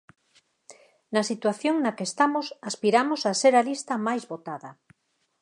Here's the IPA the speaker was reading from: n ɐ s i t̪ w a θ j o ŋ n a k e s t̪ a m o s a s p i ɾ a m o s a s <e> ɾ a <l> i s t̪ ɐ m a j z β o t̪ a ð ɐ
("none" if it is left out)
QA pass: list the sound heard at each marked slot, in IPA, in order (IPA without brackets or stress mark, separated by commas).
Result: e, l